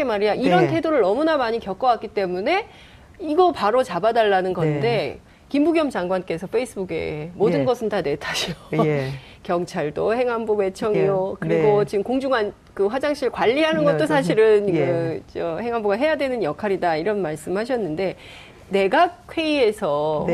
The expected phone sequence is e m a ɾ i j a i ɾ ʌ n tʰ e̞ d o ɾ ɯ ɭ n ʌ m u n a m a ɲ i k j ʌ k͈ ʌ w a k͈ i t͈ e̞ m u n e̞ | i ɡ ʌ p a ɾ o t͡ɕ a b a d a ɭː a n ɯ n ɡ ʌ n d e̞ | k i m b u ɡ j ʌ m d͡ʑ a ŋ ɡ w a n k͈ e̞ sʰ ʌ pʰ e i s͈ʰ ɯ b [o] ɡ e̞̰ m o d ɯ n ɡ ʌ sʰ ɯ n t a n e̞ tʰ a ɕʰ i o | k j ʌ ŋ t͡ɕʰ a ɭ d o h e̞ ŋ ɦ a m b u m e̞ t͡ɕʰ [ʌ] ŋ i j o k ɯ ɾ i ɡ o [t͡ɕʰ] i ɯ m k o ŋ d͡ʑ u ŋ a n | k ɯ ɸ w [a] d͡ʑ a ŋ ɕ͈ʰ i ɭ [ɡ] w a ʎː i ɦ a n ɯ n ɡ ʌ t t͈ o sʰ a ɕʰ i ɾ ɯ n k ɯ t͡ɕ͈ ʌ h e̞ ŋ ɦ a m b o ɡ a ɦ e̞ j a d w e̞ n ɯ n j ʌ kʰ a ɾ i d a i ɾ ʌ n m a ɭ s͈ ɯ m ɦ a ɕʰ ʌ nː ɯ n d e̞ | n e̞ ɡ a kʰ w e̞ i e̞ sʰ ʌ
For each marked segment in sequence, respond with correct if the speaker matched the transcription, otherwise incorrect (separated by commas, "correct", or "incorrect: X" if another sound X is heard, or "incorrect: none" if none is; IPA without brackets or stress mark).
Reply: incorrect: u, correct, incorrect: t͡ɕ, correct, incorrect: k